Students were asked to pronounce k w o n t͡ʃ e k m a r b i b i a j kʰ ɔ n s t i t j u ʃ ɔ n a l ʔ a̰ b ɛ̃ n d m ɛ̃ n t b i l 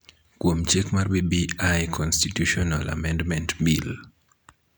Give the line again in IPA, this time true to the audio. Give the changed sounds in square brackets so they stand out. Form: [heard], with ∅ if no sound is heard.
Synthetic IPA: k w o [m] t͡ʃ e k m a r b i b i a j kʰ ɔ n s t i t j u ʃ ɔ n a l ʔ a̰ [m] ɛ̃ n d m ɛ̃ n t b i l